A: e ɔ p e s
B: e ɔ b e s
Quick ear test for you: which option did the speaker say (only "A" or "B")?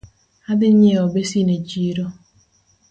B